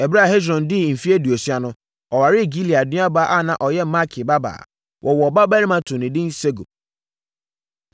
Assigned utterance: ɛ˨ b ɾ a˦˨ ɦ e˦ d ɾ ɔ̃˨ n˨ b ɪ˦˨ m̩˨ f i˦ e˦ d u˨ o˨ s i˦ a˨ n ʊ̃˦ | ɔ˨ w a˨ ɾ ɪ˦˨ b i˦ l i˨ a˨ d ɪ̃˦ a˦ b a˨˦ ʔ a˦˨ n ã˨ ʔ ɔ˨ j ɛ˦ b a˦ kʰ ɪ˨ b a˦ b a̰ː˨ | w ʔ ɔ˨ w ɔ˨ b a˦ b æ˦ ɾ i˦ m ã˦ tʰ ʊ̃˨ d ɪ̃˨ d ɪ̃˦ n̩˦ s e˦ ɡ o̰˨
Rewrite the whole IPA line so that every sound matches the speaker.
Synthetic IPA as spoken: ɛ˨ b ɾ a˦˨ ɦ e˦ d ɾ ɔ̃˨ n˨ d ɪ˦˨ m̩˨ f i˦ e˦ d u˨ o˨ s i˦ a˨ n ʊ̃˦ | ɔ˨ w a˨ ɾ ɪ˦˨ ɡ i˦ l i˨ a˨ d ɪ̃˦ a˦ b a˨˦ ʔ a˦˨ n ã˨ ʔ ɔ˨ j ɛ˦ m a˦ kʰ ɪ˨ b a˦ b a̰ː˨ | w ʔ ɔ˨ w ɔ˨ b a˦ b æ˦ ɾ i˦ m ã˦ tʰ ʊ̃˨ n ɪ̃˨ d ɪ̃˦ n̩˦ s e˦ ɡ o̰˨